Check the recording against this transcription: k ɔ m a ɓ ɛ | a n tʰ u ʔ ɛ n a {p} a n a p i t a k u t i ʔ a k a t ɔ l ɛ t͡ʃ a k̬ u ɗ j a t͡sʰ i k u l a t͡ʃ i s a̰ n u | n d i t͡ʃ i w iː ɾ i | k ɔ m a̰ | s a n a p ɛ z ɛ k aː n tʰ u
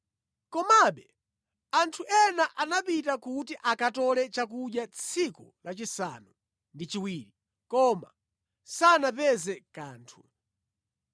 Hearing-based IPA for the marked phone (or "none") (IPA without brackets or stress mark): ʔ